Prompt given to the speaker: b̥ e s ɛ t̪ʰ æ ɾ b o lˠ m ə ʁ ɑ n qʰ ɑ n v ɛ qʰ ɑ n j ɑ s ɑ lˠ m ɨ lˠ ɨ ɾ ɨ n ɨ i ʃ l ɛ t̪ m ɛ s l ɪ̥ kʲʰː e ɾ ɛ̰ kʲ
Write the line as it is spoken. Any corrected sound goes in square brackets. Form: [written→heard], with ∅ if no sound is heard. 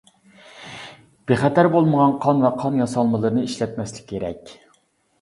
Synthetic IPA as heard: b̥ e [s→χ] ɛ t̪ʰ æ ɾ b o lˠ m ə ʁ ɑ n qʰ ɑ n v ɛ qʰ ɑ n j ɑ s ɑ lˠ m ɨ lˠ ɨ ɾ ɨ n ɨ i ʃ l ɛ t̪ m ɛ s l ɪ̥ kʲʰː e ɾ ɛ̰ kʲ

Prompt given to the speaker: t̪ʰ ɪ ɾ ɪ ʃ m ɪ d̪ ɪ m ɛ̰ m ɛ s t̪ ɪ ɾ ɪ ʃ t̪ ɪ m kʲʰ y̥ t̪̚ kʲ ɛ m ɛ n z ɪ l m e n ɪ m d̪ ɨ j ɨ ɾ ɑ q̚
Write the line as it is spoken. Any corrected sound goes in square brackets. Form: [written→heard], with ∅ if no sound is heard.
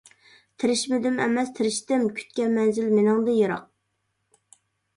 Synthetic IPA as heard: t̪ʰ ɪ ɾ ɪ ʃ m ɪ d̪ ɪ m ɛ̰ m ɛ s [t̪→t̪ʰ] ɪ ɾ ɪ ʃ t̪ ɪ m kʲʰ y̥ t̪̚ kʲ ɛ m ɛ n z ɪ l m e n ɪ [m→ŋ] d̪ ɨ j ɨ ɾ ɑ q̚

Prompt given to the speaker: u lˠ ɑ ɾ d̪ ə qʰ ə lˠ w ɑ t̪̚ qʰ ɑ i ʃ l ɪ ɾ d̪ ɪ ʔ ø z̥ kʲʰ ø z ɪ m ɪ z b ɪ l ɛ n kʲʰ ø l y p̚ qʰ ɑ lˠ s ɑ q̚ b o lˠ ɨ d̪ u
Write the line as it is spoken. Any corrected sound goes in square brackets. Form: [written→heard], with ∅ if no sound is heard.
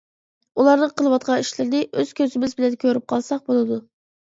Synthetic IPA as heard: u lˠ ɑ ɾ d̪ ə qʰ ə lˠ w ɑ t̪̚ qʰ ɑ i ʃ l ɪ ɾ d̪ ɪ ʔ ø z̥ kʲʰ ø z ɪ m ɪ z b ɪ l ɛ n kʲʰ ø [l→ɾ] y p̚ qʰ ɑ lˠ s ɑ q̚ b o lˠ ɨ d̪ u

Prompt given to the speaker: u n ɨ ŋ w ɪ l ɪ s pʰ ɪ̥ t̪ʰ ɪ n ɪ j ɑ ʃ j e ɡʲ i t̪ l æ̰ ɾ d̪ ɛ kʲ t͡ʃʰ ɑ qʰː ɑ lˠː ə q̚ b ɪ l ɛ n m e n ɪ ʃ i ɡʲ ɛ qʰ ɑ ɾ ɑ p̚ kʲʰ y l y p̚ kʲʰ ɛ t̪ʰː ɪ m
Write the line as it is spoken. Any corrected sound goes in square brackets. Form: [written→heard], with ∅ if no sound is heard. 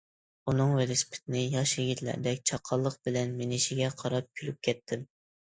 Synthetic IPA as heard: u n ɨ ŋ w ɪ l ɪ s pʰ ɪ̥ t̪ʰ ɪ n ɪ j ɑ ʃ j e ɡʲ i t̪ l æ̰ ɾ d̪ ɛ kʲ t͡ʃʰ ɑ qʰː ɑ lˠː ə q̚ b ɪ l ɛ n m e n ɪ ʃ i ɡʲ ɛ qʰ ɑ ɾ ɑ p̚ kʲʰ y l y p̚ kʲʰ ɛ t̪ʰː ɪ m

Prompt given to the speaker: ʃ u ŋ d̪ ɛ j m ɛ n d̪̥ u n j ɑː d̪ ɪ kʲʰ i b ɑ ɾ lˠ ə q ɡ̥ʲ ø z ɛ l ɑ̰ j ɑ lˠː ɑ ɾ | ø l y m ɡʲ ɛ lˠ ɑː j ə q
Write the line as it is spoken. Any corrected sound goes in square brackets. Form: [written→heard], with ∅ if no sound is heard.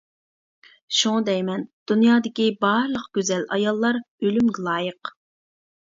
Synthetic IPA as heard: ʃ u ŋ d̪ ɛ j m ɛ n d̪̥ u n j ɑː d̪ ɪ [kʲʰ→kʲ] i b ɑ ɾ lˠ ə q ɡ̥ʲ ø z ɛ l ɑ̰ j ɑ lˠː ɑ ɾ | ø l y m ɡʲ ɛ lˠ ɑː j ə q

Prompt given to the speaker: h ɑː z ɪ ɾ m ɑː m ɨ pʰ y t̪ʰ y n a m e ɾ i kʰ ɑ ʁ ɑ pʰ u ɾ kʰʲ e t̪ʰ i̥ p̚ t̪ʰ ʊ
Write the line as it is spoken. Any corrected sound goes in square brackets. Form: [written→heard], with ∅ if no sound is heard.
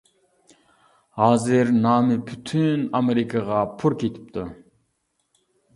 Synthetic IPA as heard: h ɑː z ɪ ɾ [m→n] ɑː m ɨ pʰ y t̪ʰ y n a m e ɾ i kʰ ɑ ʁ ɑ pʰ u ɾ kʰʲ e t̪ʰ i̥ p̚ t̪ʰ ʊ

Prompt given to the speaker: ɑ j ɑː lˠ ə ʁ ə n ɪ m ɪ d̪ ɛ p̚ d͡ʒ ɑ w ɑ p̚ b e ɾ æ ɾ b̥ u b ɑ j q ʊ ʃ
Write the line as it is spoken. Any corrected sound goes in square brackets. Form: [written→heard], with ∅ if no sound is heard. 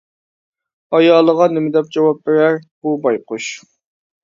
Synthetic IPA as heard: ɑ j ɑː lˠ ə ʁ [ə→ɑ] n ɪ m ɪ d̪ ɛ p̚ d͡ʒ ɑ w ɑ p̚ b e ɾ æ ɾ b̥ u b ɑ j q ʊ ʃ

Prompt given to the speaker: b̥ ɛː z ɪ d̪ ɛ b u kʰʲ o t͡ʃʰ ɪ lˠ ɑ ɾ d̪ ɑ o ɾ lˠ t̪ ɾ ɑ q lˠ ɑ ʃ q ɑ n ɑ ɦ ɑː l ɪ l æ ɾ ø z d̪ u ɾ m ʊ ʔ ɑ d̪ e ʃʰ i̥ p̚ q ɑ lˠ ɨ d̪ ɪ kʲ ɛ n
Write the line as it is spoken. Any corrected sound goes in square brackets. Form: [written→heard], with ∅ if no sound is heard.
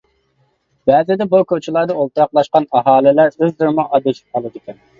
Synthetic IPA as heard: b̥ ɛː z ɪ d̪ ɛ b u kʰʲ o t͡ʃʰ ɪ lˠ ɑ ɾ d̪ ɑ o [ɾ→∅] lˠ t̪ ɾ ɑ q lˠ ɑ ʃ q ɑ n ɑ ɦ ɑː l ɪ l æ ɾ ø z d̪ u ɾ m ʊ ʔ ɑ d̪ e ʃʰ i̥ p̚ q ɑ lˠ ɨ d̪ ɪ kʲ ɛ n

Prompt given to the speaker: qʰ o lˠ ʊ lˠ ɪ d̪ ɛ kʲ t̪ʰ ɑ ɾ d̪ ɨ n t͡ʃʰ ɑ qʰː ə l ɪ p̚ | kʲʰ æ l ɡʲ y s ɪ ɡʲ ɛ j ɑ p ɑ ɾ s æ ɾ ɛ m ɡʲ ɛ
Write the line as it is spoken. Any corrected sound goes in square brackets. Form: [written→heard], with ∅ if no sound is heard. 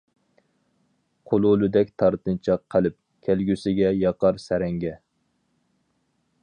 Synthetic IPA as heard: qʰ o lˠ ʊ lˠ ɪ d̪ ɛ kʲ t̪ʰ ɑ ɾ [d̪→t̪] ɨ n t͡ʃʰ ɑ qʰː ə l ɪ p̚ | kʲʰ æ l ɡʲ y s ɪ ɡʲ ɛ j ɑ [p→q] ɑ ɾ s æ ɾ ɛ [m→ŋ] ɡʲ ɛ

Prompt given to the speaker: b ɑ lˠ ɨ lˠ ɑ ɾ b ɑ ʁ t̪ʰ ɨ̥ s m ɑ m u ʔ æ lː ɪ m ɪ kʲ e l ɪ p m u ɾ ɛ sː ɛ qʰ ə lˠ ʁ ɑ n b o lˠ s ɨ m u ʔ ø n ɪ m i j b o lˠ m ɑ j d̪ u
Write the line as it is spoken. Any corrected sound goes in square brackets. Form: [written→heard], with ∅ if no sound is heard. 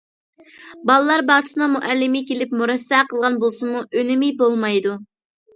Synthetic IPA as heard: b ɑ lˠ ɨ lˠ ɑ ɾ b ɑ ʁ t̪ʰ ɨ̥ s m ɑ m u ʔ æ lː ɪ m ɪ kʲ e l ɪ p m u ɾ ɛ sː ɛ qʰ ə lˠ ʁ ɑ n b o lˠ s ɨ m u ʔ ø n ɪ m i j b o lˠ m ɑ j d̪ u

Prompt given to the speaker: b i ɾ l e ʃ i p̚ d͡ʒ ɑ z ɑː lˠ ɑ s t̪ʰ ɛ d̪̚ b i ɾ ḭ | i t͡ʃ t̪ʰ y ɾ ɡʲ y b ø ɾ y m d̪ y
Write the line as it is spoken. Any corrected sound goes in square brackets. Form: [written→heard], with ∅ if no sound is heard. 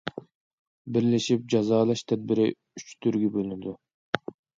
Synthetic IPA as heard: b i ɾ l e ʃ i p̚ d͡ʒ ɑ z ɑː lˠ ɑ [s→ʃ] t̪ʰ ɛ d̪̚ b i ɾ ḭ | [i→y] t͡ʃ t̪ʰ y ɾ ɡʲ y b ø [ɾ→l] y [m→n] d̪ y

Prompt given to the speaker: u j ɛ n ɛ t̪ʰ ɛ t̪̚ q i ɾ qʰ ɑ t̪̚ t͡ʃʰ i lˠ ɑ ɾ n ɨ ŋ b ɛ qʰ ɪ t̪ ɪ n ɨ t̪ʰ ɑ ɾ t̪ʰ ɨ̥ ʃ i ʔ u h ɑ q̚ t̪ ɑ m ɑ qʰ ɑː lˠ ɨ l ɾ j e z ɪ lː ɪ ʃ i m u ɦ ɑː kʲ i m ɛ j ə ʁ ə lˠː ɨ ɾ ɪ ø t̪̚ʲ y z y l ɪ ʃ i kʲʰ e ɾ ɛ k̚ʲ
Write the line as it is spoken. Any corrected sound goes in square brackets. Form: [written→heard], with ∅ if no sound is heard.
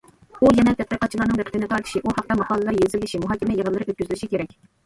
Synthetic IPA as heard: u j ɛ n ɛ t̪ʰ ɛ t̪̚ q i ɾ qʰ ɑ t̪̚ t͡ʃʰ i lˠ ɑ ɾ n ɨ ŋ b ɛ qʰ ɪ t̪ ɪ n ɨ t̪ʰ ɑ ɾ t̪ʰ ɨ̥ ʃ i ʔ u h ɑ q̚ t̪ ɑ m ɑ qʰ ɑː lˠ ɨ l ɾ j e z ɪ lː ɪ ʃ i m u ɦ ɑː kʲ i m ɛ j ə ʁ ə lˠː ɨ ɾ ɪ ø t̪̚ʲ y z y l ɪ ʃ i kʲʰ e ɾ ɛ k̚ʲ

